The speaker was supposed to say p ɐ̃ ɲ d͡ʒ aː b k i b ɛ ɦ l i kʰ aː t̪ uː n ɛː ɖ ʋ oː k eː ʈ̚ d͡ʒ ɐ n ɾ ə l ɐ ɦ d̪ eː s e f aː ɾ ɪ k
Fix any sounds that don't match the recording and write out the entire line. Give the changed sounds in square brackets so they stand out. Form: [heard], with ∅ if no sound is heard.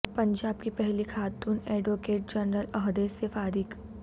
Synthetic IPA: p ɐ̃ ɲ d͡ʒ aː b k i [p] ɛ ɦ l i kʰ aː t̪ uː n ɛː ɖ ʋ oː k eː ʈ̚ d͡ʒ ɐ n ɾ ə l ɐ ɦ d̪ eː s e f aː ɾ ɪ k